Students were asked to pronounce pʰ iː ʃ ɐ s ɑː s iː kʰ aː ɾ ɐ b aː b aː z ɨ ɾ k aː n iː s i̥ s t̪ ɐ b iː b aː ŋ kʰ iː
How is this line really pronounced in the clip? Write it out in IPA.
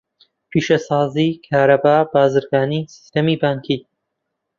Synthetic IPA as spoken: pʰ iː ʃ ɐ s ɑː z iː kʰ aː ɾ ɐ b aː b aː z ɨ ɾ ɡ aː n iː s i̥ s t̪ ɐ m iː b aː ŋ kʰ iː